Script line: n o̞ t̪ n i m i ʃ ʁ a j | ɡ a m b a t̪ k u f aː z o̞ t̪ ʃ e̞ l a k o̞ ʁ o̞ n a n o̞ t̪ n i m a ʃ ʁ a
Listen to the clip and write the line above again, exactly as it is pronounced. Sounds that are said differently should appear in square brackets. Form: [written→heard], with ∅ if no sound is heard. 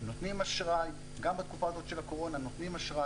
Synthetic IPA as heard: n o̞ t̪ n i m [i→a] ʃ ʁ a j | ɡ a m b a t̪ k u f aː z o̞ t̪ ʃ e̞ l a k o̞ ʁ o̞ n a n o̞ t̪ n i m a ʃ ʁ a